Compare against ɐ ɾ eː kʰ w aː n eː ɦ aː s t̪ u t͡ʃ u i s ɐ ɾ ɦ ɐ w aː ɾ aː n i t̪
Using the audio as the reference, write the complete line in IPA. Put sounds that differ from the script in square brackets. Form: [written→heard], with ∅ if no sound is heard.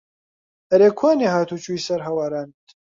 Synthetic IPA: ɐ ɾ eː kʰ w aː n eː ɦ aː [s→∅] t̪ u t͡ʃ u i s ɐ ɾ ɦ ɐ w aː ɾ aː n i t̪

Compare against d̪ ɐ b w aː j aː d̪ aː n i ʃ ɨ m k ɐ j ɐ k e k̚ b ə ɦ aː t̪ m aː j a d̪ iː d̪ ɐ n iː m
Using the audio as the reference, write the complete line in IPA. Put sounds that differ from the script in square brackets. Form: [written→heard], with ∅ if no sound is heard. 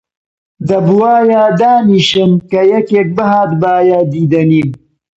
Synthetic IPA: d̪ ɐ b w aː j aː d̪ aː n i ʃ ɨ m k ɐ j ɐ k e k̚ b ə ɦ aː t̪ [m→b] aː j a d̪ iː d̪ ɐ n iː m

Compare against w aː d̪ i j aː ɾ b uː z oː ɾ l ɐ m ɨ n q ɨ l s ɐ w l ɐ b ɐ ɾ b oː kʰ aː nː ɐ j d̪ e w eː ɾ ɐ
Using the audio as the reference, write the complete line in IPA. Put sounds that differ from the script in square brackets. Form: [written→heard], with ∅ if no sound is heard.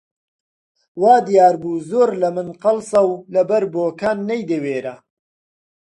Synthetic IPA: w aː d̪ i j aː ɾ b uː z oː ɾ l ɐ m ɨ n q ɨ l s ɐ w l ɐ b ɐ ɾ b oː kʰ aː nː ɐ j d̪ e w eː ɾ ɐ

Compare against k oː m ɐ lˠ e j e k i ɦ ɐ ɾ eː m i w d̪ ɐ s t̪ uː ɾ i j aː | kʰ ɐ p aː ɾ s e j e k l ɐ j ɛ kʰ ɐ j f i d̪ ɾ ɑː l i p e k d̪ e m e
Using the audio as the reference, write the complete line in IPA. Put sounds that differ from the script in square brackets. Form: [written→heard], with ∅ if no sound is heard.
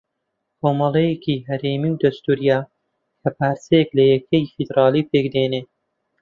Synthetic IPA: k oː m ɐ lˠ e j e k i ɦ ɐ ɾ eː m i w d̪ ɐ s t̪ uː ɾ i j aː | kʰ ɐ p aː ɾ s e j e k l ɐ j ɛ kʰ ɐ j f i d̪ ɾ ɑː l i p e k d̪ e [m→n] e

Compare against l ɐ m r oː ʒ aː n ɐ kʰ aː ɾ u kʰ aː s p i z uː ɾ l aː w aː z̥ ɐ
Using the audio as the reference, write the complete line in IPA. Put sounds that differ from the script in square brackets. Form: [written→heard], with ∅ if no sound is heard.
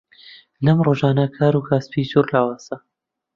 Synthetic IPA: l ɐ m r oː ʒ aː n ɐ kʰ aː ɾ u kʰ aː s p i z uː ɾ l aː w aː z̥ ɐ

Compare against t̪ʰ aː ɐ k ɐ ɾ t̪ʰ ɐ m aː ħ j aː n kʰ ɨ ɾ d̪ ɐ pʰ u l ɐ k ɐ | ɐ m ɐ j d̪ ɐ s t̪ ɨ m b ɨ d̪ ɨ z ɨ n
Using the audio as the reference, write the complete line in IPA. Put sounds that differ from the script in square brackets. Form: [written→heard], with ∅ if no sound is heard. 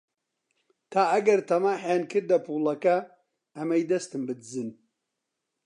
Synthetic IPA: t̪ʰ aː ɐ [k→ɡ] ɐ ɾ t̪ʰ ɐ m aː ħ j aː n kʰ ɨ ɾ d̪ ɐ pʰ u l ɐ k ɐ | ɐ m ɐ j d̪ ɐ s t̪ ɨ m b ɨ d̪ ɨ z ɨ n

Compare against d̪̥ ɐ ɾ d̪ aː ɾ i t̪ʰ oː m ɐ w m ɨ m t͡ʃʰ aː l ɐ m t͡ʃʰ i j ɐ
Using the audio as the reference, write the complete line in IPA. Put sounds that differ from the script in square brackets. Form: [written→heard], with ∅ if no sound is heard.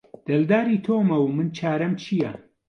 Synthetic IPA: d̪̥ ɐ [ɾ→l] d̪ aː ɾ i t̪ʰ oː m ɐ w m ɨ [m→n] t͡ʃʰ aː [l→ɾ] ɐ m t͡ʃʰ i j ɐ

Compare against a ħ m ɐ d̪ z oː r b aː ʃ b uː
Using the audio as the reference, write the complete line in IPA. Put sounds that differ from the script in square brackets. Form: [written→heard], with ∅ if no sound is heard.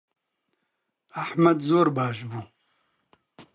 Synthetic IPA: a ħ m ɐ d̪ z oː [r→ɾ] b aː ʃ b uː

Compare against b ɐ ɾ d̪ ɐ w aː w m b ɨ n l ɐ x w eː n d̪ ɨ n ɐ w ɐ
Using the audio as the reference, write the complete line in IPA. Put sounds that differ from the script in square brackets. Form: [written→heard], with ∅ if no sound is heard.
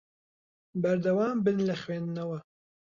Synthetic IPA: b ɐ ɾ d̪ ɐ w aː [w→∅] m b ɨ n l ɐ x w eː n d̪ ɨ n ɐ w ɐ

